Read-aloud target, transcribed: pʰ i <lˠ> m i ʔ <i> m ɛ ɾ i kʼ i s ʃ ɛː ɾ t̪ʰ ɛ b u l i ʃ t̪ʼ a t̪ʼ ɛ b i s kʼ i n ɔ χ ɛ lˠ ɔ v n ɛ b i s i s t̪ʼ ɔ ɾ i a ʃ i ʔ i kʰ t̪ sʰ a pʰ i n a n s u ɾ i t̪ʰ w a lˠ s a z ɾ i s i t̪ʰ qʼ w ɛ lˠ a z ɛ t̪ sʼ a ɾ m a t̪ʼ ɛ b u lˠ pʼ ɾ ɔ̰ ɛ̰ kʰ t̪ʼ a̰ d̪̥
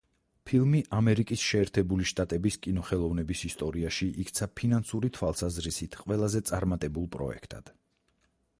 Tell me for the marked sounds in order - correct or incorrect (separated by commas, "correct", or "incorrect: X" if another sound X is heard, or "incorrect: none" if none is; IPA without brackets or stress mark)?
correct, incorrect: a